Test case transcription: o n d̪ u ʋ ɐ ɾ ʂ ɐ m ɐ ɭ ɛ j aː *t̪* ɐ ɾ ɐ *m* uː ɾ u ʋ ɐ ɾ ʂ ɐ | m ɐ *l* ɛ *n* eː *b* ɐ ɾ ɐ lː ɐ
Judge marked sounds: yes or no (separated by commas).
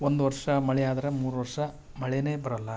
no, yes, no, yes, yes